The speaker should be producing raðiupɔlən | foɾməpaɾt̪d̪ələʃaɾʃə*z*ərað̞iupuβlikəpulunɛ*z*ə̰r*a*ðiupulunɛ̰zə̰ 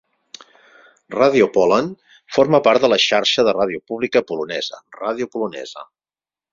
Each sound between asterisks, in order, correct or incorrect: incorrect, correct, correct

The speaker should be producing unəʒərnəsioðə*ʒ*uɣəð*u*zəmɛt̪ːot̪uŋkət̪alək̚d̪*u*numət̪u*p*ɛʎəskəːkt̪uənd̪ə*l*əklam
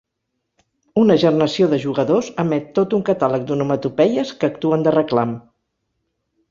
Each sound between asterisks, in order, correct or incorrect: correct, incorrect, correct, correct, incorrect

